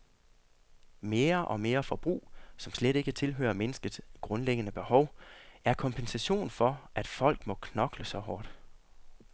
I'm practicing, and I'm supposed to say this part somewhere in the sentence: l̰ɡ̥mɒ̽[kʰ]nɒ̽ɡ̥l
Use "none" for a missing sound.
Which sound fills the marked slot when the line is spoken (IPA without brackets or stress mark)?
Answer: kʰ